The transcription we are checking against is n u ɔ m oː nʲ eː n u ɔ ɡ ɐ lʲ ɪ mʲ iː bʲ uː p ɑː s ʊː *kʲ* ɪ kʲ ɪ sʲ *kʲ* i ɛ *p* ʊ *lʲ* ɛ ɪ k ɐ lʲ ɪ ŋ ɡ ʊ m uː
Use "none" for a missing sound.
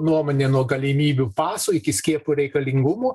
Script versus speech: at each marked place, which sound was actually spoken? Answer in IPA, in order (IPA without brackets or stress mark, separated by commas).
none, kʲ, p, ɾʲ